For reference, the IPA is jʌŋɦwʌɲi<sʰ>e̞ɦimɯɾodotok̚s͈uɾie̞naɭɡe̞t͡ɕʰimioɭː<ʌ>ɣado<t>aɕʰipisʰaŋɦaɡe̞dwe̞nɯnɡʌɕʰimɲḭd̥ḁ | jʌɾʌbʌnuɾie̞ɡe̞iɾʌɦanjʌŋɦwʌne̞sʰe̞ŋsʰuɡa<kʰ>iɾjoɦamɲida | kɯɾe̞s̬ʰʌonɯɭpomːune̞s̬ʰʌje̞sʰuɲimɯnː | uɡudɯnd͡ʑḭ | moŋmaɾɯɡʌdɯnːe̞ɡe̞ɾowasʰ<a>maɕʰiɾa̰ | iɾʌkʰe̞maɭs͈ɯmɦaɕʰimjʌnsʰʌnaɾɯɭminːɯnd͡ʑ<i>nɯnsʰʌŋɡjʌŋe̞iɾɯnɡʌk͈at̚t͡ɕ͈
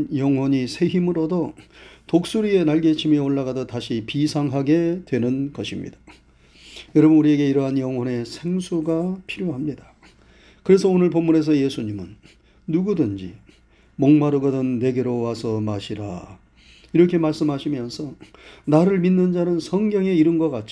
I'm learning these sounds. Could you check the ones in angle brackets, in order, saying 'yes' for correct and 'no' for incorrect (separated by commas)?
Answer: yes, no, yes, no, no, no